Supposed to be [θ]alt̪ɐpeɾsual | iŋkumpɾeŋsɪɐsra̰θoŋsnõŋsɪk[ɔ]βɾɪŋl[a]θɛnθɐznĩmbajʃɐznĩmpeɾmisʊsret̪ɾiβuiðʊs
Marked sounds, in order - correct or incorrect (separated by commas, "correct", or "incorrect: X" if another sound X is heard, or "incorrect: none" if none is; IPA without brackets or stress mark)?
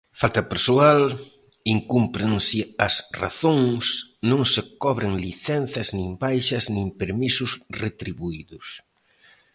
incorrect: f, correct, incorrect: i